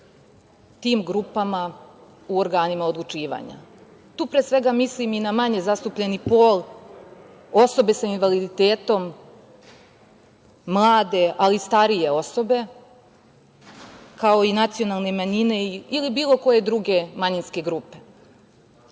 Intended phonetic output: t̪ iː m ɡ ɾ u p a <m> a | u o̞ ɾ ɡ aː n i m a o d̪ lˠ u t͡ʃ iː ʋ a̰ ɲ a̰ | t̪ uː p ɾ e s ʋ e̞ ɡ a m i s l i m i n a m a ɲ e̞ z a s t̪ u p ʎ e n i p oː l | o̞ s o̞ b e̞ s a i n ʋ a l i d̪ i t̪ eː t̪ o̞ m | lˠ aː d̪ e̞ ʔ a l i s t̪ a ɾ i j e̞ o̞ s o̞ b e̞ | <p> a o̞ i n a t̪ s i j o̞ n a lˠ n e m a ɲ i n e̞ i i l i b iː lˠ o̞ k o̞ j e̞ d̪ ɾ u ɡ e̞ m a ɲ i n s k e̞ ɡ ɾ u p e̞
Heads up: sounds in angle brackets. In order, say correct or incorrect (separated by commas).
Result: correct, incorrect